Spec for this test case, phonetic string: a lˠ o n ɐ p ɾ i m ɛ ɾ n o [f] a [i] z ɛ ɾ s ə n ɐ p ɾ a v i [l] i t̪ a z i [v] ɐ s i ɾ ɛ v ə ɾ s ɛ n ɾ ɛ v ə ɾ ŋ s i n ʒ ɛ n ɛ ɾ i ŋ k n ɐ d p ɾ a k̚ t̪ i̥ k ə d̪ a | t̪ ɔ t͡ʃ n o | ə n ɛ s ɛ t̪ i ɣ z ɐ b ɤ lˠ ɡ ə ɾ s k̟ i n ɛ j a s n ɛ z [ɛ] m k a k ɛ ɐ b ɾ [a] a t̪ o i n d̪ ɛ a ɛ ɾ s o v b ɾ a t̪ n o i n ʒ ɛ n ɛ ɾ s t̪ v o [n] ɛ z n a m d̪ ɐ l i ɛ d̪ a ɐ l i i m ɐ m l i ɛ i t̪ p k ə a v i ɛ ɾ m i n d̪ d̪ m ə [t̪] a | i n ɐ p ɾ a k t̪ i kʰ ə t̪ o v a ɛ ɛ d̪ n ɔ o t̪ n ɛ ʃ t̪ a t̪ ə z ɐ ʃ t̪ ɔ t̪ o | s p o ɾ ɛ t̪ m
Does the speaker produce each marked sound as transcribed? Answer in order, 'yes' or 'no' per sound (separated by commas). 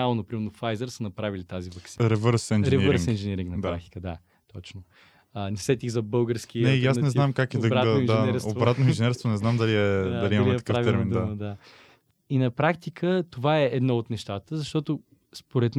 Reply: yes, no, yes, yes, no, yes, yes, no